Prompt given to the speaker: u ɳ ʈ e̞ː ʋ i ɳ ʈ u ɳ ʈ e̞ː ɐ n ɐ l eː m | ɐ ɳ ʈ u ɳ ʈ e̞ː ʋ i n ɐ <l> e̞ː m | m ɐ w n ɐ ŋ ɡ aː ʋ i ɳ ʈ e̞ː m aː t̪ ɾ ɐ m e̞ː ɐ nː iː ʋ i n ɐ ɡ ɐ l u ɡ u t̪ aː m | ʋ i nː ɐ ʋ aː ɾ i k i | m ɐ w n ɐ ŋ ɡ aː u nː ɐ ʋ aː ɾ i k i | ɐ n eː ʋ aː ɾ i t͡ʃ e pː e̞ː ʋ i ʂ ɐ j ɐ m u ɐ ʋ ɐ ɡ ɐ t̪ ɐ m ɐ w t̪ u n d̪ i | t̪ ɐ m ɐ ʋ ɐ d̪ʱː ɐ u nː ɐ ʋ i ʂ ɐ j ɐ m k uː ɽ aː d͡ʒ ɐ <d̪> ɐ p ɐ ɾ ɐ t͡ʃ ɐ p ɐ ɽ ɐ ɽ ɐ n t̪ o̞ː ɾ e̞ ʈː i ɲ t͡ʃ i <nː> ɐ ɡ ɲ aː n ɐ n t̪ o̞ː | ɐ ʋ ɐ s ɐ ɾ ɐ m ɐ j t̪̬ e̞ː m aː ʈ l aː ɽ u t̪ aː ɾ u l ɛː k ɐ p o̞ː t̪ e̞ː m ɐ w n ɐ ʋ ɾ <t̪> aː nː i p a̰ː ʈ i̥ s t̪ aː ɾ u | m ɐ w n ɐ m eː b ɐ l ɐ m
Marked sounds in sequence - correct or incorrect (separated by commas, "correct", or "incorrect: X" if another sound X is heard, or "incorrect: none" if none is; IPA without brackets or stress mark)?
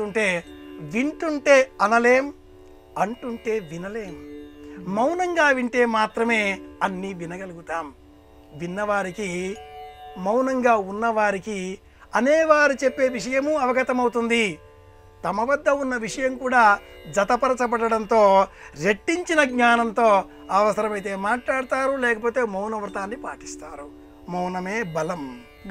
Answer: correct, incorrect: t̪, incorrect: n, correct